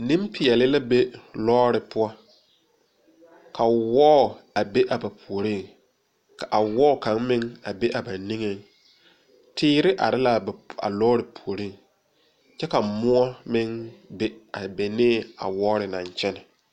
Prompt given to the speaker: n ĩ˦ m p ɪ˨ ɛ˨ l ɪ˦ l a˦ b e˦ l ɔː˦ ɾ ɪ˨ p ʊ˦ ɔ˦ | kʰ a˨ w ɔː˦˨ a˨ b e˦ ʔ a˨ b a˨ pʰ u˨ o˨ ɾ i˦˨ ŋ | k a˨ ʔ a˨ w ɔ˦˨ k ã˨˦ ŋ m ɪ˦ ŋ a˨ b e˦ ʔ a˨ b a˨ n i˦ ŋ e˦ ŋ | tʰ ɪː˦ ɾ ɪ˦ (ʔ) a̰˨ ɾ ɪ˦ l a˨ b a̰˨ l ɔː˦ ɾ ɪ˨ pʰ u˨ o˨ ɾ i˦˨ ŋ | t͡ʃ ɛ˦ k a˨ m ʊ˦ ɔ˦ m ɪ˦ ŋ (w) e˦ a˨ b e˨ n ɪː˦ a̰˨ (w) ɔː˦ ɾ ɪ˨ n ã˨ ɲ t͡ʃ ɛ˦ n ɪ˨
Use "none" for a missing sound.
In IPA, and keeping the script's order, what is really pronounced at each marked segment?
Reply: ʔ, b, w

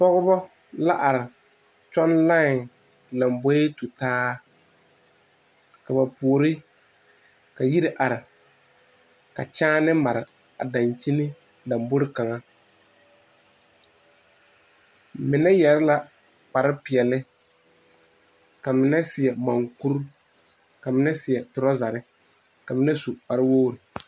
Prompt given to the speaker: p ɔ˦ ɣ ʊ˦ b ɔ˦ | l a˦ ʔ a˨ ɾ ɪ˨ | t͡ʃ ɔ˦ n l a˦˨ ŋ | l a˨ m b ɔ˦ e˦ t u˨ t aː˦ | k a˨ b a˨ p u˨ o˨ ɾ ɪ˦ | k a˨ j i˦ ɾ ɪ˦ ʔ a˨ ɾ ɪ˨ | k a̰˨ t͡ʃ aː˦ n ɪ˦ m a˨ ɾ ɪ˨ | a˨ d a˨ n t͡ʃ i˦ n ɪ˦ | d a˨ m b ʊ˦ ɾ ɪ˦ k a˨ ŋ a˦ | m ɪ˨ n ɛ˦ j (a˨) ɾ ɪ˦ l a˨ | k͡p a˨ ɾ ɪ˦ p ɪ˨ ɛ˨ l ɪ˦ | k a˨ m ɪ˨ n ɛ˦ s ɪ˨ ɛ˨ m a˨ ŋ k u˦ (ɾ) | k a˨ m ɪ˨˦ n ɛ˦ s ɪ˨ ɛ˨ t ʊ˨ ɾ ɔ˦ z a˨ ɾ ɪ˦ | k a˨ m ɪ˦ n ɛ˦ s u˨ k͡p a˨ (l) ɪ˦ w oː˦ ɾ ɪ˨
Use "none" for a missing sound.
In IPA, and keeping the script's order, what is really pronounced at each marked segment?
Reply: ɛ˨, ɾ, ɾ

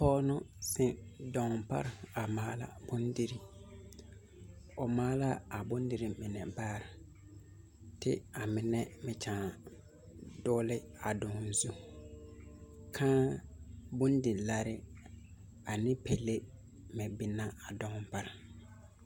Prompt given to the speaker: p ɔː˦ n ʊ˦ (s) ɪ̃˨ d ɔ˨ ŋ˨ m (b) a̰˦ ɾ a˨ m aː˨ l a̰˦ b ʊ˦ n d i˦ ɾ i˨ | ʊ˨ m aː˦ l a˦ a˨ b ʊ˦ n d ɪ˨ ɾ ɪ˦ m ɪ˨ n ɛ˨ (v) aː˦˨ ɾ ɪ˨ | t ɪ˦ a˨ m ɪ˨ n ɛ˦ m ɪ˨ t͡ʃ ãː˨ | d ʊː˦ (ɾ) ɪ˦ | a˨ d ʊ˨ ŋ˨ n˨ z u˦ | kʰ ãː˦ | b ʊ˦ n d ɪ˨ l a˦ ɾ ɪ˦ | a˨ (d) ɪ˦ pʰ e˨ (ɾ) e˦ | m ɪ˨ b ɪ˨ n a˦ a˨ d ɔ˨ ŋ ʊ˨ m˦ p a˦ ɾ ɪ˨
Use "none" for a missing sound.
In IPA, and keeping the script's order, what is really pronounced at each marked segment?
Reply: s, p, b, l, n, l

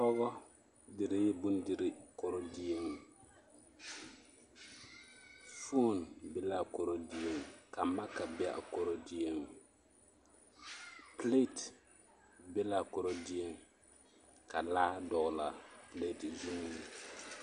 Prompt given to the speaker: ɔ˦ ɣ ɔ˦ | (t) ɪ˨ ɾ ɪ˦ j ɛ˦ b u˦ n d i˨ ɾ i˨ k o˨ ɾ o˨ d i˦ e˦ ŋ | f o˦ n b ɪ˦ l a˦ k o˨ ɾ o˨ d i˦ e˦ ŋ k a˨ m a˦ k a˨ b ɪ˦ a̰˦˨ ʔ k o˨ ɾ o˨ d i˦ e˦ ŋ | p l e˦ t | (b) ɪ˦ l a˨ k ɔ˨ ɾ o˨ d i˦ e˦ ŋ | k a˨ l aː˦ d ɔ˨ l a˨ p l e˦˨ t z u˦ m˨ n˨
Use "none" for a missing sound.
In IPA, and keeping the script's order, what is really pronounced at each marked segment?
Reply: d, b

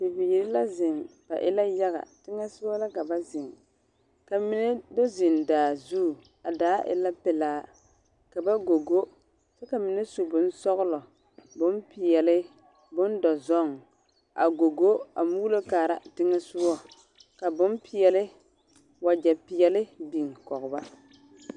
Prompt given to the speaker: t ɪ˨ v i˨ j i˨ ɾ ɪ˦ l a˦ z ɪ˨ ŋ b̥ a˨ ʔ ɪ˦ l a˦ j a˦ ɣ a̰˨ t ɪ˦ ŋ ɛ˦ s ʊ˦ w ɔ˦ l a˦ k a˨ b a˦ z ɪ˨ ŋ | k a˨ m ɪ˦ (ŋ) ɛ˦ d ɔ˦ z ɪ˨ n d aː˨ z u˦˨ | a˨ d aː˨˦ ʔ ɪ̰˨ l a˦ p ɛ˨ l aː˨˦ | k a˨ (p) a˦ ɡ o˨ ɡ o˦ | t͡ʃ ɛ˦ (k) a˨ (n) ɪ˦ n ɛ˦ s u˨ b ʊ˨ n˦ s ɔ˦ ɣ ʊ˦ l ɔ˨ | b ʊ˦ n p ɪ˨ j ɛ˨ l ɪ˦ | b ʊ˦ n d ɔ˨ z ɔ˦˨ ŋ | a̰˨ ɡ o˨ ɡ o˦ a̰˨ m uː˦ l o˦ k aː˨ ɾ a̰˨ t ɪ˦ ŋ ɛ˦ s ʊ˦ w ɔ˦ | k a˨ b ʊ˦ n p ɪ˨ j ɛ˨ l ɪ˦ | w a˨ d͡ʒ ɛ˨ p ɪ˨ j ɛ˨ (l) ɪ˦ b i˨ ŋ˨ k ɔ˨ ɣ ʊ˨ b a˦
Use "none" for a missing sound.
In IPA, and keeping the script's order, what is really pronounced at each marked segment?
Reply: n, b, k, m, l

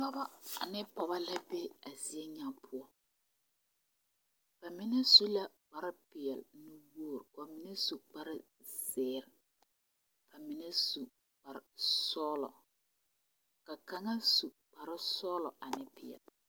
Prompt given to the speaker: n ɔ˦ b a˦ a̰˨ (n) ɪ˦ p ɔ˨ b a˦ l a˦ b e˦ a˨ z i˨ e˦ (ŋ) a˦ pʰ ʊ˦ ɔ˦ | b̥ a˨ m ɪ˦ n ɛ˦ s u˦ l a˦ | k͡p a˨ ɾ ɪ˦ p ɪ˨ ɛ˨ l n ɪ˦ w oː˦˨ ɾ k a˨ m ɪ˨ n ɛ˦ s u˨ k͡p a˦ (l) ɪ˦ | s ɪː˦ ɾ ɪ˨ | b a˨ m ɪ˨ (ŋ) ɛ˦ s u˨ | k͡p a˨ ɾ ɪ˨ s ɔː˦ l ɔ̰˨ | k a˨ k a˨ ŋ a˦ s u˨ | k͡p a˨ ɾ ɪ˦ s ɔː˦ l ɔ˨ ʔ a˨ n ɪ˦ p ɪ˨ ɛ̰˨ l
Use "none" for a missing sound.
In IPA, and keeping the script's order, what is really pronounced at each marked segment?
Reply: n, ɲ, ɾ, n

